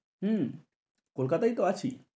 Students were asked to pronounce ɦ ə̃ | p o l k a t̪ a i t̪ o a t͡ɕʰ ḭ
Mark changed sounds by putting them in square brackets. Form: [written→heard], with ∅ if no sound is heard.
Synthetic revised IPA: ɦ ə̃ | [p→k] o l k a t̪ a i t̪ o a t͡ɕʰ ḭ